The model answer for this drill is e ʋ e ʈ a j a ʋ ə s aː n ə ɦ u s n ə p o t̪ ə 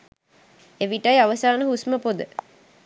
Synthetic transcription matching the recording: e ʋ i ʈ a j a ʋ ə s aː n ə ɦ u s m ə p o d̪ ə

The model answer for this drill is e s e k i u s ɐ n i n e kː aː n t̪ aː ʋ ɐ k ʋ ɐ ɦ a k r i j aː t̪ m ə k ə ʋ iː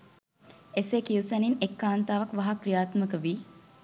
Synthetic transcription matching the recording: e s e k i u s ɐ n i n e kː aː n t̪ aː ʋ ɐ k ʋ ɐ ɦ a k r i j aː t̪ m ə k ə ʋ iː

